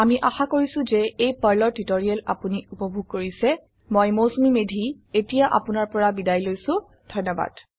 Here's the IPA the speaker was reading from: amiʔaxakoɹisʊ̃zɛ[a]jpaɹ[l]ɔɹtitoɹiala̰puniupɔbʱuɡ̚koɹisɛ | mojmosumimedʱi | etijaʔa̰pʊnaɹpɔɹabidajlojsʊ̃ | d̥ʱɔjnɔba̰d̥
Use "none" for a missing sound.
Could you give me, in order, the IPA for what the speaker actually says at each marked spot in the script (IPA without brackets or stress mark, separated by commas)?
e, l